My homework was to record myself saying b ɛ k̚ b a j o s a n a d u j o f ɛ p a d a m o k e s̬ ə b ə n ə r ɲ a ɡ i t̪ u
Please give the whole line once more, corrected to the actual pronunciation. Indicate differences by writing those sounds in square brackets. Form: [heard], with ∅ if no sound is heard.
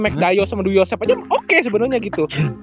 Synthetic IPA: [m] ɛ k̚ [d] a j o s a [m] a d u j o [s] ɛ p a [d͡ʒ] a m o k e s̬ ə b ə n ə r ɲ a ɡ i t̪ u